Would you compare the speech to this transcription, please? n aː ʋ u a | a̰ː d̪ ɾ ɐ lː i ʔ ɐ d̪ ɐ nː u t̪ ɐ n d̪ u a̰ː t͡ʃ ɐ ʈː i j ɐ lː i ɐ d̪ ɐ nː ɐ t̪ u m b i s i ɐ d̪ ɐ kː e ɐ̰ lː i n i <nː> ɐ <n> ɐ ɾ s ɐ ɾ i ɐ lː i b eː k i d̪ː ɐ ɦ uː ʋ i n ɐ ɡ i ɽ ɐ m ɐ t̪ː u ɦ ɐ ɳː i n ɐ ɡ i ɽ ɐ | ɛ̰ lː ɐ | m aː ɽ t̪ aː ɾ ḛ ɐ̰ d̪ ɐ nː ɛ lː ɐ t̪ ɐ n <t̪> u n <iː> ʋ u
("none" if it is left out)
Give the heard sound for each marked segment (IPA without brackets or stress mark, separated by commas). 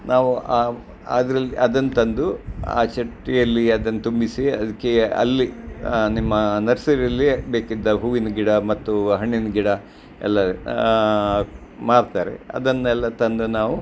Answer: mː, n, d̪, aː